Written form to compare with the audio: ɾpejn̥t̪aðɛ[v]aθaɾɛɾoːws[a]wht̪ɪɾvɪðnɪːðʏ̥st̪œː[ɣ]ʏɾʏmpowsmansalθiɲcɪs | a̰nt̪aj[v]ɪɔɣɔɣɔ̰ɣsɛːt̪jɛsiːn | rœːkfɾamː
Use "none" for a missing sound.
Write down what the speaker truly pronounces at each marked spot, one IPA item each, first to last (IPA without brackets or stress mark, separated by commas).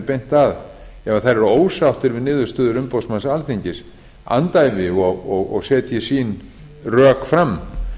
v, a, ð, v